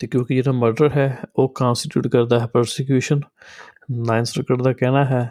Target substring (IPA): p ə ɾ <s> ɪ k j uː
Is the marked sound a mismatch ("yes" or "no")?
no